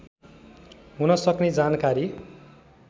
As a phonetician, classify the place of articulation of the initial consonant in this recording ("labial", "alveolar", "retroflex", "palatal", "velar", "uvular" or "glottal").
glottal